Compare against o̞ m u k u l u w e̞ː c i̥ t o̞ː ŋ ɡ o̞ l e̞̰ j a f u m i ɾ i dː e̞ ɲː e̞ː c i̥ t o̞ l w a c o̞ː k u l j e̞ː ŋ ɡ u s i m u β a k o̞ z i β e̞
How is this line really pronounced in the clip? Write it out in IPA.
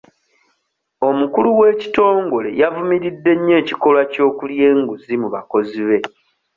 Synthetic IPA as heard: o̞ m u k u l u w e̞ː c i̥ t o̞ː ŋ ɡ o̞ l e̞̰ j a v u m i ɾ i dː e̞ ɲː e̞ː c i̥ k o̞ l w a c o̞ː k u l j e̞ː ŋ ɡ u z i m u β a k o̞ z i β e̞